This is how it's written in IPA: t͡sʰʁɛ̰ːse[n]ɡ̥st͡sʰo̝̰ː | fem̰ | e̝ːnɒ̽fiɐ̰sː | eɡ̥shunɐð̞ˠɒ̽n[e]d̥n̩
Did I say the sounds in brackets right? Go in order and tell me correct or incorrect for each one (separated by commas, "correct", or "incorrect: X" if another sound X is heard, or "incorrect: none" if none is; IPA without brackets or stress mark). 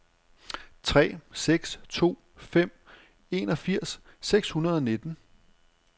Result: incorrect: none, correct